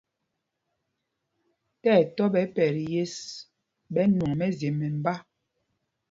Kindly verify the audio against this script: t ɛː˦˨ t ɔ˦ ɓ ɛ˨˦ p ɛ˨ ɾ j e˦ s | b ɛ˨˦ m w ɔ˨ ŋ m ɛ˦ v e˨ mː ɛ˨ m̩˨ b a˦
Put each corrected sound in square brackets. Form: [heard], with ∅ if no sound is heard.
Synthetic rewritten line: t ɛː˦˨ t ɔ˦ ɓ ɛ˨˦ p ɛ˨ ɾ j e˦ s | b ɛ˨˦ [n] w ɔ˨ ŋ m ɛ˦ [z] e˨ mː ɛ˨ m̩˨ b a˦